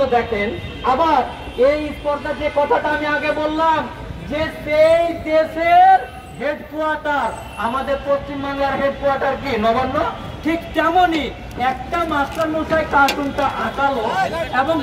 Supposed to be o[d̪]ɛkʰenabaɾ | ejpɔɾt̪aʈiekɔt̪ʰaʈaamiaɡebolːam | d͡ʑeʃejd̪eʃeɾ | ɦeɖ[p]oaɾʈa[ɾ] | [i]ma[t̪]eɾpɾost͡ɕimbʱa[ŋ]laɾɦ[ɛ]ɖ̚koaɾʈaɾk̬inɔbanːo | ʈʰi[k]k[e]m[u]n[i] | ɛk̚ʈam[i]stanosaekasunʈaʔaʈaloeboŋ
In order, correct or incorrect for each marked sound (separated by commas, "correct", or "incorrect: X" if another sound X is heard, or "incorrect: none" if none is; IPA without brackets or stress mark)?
correct, incorrect: k, correct, incorrect: a, incorrect: d̪, correct, incorrect: e, correct, incorrect: ɛ, incorrect: o, correct, incorrect: a